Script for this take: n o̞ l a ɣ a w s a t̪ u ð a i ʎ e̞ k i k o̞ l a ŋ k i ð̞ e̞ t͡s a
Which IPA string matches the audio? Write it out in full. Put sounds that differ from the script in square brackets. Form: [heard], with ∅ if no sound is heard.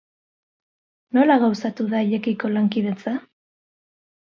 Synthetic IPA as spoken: n o̞ l a ɣ a w s a t̪ u ð a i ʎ e̞ k i k o̞ l a ŋ k i ð̞ e̞ t͡s a